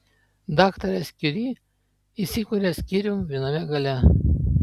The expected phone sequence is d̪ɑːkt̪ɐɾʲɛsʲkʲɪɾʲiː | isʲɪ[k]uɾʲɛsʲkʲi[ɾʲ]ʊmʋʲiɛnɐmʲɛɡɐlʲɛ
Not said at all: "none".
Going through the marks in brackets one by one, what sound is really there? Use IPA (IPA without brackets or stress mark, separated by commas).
k, ɾʲ